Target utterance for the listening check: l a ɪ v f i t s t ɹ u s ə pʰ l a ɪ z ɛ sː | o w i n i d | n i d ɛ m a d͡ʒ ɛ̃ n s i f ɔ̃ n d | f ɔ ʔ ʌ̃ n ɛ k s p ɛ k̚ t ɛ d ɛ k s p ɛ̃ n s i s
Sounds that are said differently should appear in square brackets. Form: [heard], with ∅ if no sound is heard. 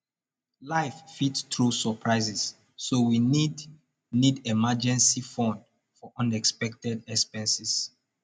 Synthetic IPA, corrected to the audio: l a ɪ [f] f i t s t ɹ u s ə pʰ [ɹ] a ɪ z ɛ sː | o w i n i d | n i d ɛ m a d͡ʒ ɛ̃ n s i f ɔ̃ n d | f ɔ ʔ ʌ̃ n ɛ k s p ɛ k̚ t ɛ d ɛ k s p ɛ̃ n s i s